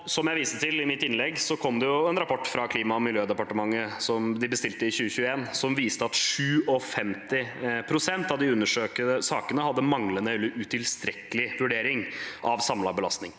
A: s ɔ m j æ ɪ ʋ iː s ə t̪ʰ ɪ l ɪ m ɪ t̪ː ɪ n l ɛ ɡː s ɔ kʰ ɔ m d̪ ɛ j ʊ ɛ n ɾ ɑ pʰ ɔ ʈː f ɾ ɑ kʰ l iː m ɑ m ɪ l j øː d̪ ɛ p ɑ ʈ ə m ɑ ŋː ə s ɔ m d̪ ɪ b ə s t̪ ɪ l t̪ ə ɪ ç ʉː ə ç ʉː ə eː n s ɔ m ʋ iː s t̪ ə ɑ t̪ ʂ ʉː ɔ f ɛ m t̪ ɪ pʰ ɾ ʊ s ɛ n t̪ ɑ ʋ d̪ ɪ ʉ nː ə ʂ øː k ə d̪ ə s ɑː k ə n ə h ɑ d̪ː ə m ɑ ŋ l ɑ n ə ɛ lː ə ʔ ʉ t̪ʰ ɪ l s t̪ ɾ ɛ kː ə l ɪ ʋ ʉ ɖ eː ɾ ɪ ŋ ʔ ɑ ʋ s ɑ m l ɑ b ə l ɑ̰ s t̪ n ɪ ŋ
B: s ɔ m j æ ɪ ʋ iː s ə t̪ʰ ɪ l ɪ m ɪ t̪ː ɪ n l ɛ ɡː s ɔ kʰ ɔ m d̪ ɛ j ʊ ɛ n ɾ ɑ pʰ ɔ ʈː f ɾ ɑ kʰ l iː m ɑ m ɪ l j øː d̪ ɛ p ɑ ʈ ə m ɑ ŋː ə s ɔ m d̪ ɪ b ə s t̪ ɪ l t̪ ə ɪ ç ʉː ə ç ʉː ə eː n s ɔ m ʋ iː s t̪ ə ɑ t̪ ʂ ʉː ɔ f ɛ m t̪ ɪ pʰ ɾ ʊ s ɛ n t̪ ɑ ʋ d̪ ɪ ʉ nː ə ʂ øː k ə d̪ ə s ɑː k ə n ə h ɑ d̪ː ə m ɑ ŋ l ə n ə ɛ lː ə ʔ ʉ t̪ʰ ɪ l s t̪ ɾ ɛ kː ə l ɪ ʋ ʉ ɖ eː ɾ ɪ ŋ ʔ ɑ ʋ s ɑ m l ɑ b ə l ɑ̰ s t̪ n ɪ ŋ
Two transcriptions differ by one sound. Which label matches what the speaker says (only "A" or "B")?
B